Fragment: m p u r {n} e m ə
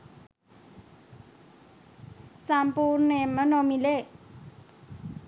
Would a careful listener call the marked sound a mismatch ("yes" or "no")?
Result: no